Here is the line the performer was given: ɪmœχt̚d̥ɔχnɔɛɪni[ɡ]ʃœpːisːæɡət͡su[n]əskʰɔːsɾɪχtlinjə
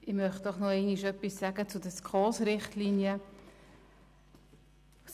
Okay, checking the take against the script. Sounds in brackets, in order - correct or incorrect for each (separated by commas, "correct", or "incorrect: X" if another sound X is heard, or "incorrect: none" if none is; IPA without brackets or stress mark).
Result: incorrect: none, incorrect: d